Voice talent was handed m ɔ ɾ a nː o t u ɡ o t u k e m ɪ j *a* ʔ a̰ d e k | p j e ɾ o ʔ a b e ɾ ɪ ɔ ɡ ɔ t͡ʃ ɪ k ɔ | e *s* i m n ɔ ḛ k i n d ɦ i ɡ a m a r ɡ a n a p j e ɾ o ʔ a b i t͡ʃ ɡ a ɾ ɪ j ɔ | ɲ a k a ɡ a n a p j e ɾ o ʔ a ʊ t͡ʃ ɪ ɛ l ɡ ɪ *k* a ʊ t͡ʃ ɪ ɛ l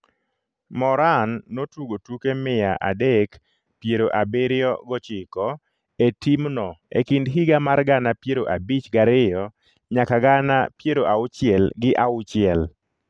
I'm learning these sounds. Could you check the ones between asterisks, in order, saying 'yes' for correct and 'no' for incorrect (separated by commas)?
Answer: yes, no, no